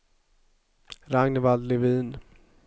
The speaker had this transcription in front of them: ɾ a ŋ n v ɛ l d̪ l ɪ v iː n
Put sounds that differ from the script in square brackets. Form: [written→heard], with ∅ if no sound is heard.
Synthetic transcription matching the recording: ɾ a ŋ n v [ɛ→a] l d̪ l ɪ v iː n